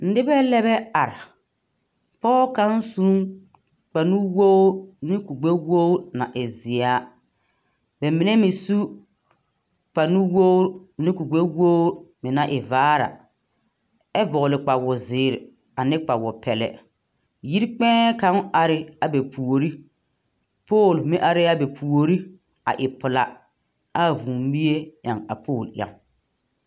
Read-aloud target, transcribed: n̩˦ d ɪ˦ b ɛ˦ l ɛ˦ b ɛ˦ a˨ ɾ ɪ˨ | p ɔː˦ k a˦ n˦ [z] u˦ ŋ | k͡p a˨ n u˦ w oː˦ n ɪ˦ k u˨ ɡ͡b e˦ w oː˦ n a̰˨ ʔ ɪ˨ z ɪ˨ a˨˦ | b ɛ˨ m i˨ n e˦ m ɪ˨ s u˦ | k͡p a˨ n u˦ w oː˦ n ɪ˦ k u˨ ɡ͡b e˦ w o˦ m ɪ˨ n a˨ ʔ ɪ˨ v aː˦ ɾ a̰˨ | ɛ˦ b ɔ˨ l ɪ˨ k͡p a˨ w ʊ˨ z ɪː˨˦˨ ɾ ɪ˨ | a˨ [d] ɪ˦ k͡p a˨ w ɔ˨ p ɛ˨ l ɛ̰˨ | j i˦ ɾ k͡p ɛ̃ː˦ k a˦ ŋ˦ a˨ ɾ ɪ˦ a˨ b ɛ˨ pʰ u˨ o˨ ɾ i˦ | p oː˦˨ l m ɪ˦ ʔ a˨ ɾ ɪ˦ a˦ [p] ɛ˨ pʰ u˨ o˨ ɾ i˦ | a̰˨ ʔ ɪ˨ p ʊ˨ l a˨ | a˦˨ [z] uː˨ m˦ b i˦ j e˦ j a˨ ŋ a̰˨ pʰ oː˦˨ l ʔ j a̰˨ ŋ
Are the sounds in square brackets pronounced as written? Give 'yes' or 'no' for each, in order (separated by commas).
no, no, no, no